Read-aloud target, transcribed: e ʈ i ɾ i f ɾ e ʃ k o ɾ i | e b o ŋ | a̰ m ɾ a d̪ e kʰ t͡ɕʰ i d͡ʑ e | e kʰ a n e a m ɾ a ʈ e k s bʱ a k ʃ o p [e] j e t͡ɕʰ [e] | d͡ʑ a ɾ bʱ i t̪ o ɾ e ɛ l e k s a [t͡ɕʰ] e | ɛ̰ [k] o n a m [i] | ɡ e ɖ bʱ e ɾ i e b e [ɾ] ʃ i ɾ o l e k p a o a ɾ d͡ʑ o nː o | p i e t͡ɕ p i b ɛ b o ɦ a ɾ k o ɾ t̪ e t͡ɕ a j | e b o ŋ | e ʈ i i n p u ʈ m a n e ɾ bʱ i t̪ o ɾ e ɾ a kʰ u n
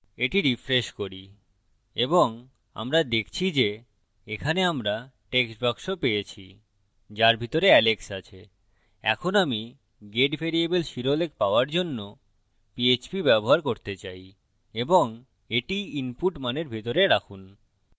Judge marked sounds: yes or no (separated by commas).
yes, no, yes, no, yes, no